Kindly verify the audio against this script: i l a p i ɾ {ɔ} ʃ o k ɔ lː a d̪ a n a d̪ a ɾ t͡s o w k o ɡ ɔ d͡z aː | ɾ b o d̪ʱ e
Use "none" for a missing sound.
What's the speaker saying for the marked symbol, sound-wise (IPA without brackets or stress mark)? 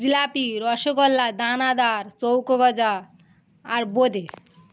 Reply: ɔ